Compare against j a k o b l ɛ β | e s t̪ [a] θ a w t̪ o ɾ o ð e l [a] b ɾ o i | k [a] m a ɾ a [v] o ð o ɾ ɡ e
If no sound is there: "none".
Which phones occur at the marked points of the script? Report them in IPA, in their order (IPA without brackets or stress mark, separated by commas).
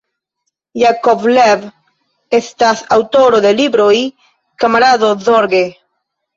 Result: a, i, a, ð